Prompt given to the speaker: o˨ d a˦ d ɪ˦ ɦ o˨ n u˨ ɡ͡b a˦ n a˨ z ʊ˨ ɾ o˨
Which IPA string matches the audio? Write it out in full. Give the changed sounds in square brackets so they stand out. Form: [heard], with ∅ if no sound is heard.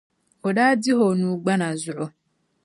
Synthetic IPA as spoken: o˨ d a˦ d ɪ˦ ɦ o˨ n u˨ ɡ͡b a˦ n a˨ z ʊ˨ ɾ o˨

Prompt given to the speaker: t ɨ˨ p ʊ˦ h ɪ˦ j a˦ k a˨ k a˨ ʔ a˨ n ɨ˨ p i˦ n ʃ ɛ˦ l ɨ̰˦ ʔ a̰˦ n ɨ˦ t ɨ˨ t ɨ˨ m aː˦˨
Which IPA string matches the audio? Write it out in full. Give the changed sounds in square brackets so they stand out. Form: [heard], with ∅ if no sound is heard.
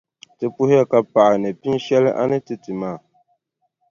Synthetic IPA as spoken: t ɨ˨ p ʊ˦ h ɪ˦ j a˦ k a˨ [p] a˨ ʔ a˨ n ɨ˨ p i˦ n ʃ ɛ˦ l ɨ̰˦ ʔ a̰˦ n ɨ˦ t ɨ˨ t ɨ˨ m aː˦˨

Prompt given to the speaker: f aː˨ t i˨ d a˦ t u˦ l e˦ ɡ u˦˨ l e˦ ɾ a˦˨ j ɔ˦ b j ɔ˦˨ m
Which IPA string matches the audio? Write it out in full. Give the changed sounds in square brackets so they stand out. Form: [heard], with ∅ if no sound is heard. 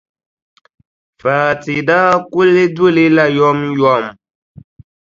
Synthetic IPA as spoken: f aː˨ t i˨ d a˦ [k] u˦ l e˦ [d] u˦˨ l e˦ [l] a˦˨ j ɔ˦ [m] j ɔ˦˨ m

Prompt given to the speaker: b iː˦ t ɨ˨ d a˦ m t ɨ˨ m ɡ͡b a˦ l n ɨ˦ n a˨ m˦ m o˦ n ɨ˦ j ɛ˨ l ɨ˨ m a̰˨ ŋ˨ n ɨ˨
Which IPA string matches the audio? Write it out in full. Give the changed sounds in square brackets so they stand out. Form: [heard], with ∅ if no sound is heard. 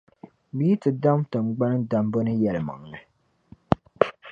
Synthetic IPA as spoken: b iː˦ t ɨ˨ d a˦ m t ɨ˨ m ɡ͡b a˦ [∅] n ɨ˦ [d] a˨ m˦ [b] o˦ n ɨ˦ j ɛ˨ l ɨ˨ m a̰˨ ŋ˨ n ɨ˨

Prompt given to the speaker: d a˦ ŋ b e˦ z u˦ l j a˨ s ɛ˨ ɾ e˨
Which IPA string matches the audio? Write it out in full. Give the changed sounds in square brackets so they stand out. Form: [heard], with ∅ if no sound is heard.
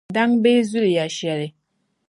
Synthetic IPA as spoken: d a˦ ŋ b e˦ z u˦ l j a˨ [ʃ] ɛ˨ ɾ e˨

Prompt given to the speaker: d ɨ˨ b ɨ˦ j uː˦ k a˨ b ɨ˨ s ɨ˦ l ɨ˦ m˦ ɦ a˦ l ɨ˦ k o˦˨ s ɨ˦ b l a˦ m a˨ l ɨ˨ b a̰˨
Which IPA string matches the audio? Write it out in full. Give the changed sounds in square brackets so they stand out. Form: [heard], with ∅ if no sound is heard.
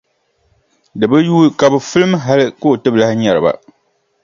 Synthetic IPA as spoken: d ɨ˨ b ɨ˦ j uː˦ k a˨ b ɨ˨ [f] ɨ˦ l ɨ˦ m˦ ɦ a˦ l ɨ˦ k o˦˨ [t] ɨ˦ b l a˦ [ɲ] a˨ [ɾ] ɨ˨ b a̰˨

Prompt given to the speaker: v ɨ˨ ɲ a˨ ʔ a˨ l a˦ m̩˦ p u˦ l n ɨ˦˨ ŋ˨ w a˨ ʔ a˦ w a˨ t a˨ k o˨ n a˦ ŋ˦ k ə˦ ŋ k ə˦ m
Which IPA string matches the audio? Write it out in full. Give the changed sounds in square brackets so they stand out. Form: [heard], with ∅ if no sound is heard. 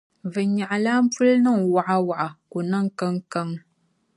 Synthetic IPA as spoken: v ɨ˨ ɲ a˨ ʔ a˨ l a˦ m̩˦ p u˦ l n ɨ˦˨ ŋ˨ w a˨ ʔ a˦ w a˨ [ʔ] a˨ k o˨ n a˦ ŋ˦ k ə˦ ŋ k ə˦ [ŋ]

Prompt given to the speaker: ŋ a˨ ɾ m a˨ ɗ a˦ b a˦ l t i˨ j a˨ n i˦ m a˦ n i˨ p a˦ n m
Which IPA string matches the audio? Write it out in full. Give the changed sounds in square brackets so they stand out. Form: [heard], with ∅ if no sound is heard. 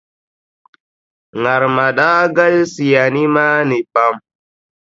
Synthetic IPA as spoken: ŋ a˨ ɾ m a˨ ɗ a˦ [ɡ] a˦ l [s] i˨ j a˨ n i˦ m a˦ n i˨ p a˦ [∅] m

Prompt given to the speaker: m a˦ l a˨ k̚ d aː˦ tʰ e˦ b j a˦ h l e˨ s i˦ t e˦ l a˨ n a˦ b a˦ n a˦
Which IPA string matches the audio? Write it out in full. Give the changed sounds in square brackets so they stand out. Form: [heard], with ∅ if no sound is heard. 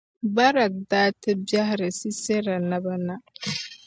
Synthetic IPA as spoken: [b] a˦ [ɾ] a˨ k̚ d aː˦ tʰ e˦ b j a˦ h [ɾ] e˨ s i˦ [s] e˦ [ɾ] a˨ n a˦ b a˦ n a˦

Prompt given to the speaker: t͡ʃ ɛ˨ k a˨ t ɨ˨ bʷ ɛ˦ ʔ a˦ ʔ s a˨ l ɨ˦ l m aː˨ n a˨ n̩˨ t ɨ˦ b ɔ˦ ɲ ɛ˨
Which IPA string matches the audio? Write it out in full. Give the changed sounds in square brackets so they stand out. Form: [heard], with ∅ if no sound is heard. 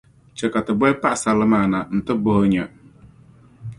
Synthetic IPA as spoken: t͡ʃ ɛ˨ k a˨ t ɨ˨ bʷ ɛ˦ [p] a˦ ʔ s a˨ l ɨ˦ [∅] m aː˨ n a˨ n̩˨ t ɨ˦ b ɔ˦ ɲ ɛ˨

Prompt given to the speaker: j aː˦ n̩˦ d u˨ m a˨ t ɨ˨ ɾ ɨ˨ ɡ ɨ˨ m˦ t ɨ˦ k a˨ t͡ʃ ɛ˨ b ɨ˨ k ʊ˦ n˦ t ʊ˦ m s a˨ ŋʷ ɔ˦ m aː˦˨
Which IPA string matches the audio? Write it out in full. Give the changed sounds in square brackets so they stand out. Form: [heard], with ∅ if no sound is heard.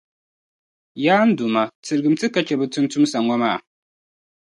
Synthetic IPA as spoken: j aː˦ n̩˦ d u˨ m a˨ t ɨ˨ ɾ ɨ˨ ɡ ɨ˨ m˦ t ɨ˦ k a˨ t͡ʃ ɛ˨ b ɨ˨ [t] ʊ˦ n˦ t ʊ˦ m s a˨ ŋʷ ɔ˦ m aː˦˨

